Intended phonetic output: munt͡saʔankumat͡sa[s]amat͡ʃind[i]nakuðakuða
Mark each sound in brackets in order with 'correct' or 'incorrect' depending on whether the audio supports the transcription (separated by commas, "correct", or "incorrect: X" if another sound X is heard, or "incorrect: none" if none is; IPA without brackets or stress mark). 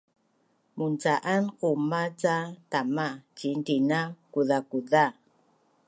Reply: incorrect: t, correct